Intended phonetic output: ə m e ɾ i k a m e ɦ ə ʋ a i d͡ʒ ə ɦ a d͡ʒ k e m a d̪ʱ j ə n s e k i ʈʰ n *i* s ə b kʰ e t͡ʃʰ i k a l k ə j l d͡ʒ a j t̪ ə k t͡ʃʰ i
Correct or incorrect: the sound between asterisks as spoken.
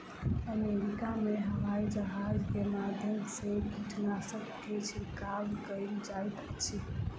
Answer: incorrect: a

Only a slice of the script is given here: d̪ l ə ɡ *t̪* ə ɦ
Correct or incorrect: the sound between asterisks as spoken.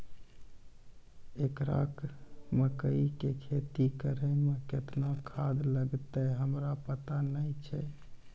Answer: correct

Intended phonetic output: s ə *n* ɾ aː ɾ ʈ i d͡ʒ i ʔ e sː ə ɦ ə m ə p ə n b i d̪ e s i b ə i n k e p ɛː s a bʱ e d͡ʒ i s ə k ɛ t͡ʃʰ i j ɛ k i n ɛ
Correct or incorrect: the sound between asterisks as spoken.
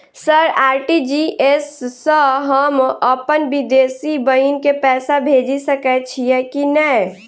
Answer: incorrect: none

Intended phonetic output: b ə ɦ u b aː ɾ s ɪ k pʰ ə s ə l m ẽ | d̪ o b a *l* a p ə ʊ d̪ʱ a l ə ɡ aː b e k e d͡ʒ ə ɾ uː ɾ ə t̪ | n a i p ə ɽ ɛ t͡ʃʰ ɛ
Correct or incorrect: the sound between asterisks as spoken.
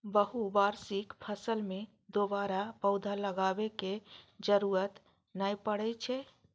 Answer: incorrect: ɾ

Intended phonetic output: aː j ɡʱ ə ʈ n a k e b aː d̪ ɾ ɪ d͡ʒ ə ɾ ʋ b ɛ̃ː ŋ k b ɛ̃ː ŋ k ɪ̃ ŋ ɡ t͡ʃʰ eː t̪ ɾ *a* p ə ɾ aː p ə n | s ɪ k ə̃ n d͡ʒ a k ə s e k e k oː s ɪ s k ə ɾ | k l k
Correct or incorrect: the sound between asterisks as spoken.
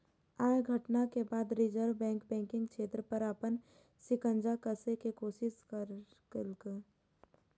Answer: incorrect: ə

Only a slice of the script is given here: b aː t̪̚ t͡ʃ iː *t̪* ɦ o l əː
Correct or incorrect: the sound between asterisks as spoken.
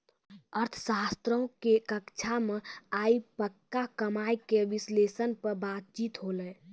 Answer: correct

